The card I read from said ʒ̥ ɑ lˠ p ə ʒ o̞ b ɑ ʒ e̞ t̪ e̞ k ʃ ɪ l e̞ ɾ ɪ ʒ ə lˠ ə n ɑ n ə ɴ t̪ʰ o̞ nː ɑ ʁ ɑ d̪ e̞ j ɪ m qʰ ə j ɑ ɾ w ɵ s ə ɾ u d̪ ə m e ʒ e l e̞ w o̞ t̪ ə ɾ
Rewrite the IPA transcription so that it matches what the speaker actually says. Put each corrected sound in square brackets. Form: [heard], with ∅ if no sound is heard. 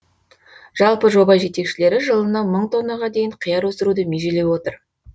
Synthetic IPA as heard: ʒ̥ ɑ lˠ p ə ʒ o̞ b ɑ ʒ e̞ t̪ e̞ k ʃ ɪ l e̞ ɾ ɪ ʒ ə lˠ ə n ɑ [m] ə ɴ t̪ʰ o̞ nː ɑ ʁ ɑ d̪ e̞ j ɪ [ɴ] qʰ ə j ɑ ɾ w ɵ s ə ɾ u d̪ ə m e ʒ e l e̞ w o̞ t̪ ə ɾ